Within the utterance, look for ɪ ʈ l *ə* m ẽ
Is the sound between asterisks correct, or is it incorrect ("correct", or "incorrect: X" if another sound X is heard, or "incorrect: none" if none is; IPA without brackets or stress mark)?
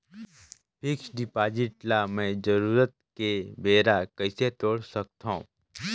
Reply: incorrect: a